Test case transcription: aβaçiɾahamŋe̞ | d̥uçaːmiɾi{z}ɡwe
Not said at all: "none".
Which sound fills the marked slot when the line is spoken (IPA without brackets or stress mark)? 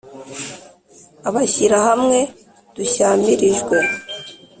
ʒ